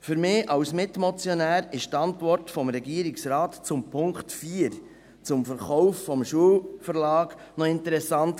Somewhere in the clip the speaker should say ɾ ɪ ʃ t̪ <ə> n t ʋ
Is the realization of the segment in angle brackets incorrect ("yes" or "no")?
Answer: yes